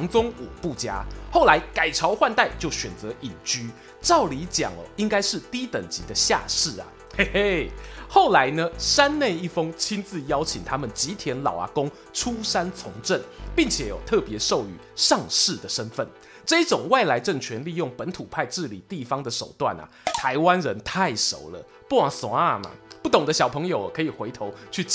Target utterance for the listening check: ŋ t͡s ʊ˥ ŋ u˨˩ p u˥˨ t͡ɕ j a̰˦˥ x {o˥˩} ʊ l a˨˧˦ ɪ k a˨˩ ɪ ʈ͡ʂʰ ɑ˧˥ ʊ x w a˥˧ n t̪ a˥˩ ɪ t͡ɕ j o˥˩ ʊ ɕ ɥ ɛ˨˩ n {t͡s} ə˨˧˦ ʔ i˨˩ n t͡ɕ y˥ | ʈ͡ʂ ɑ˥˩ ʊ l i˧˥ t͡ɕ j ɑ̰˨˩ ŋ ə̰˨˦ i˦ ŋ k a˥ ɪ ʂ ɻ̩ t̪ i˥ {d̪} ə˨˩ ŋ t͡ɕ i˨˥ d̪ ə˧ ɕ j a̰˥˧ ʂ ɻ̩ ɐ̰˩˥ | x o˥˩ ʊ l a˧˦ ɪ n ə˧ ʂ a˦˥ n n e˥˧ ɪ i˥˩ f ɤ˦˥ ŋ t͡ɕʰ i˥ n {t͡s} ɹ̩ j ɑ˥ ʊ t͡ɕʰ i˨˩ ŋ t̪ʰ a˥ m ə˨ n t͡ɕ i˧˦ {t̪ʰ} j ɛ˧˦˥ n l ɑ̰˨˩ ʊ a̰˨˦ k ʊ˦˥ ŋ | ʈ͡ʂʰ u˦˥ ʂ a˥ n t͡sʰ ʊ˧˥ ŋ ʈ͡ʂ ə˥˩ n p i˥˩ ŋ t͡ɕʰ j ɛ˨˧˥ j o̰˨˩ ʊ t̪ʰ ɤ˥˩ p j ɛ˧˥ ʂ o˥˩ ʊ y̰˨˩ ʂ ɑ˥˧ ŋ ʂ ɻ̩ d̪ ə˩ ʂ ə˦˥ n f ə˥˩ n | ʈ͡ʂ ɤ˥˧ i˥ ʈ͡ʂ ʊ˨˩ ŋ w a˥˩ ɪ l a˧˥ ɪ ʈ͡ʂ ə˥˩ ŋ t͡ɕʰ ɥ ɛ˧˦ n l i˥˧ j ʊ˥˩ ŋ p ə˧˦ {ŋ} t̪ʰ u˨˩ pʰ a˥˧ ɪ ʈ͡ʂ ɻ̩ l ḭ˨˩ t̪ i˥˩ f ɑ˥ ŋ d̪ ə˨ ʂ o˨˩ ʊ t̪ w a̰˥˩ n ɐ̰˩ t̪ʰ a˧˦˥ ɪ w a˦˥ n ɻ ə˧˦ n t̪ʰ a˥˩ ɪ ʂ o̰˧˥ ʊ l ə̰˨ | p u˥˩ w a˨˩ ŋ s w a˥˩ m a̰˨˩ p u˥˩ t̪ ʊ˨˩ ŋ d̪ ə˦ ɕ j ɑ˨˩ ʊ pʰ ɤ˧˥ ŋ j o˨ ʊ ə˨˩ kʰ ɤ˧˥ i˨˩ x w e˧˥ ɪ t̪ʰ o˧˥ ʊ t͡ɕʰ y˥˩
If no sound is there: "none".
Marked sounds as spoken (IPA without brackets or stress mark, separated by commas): o˥˩, t͡s, t̪, t͡s, t̪ʰ, n